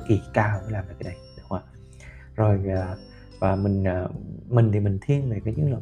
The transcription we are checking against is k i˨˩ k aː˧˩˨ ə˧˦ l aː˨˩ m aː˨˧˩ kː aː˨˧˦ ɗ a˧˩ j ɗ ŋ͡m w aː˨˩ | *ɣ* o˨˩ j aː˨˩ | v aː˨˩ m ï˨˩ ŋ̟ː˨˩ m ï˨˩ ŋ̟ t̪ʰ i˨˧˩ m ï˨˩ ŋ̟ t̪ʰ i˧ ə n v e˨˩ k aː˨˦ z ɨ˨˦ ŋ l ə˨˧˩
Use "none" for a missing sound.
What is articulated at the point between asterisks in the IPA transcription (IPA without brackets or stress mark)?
z